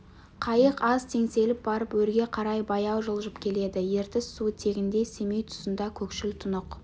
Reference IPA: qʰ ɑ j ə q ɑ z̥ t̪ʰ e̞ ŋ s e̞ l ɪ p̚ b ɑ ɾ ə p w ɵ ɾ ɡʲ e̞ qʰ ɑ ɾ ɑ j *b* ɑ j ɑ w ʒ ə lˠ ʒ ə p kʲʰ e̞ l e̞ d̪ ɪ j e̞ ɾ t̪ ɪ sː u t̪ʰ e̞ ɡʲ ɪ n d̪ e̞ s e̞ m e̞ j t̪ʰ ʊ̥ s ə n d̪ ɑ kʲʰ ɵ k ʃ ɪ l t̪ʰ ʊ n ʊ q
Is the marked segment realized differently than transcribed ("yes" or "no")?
no